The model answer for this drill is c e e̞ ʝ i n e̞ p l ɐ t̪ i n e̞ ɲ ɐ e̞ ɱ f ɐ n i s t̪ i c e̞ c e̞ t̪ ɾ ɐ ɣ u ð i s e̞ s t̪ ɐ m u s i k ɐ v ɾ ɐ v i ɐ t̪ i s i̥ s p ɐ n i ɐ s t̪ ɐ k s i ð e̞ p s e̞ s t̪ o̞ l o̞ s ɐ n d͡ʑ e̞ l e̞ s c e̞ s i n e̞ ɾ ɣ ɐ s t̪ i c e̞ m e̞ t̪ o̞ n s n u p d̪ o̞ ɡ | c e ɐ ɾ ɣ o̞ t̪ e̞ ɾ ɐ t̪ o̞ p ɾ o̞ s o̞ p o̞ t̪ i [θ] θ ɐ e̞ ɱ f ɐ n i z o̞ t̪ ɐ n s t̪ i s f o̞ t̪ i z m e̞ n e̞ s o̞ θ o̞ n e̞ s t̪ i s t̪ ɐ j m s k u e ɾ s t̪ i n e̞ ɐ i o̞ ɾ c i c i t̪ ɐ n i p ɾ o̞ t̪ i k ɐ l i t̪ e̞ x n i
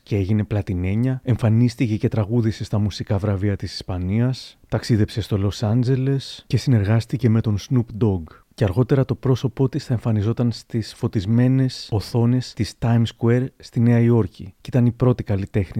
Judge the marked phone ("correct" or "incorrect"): incorrect